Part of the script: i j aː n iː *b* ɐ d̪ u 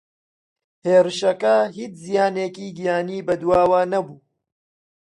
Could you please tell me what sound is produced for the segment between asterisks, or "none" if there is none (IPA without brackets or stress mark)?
b